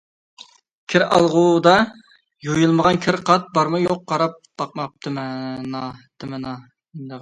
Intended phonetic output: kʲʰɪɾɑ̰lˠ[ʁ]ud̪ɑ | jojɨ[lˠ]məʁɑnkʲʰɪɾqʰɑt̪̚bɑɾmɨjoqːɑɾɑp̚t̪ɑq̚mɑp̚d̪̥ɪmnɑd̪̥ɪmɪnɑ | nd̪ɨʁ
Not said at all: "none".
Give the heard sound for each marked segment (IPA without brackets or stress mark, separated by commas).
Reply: ʁ, lˠ